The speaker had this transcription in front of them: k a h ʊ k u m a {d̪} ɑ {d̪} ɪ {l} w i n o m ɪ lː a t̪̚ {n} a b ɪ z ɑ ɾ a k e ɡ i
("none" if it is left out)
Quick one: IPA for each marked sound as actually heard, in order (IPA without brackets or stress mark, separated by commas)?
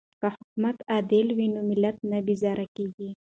t̪, d̪, l, n